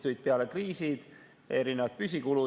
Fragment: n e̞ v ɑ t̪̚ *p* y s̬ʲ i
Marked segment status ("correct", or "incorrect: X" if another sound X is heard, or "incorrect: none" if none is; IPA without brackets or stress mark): correct